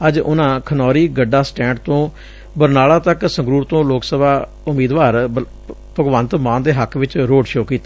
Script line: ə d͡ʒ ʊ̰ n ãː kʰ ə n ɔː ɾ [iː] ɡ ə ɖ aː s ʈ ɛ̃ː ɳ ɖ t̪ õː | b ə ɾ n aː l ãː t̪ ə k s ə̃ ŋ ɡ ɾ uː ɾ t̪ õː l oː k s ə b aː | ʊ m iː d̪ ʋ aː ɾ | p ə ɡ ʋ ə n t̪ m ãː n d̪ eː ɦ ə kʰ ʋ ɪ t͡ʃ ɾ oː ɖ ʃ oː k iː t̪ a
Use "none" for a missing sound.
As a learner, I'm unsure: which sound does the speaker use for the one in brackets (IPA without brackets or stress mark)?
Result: iː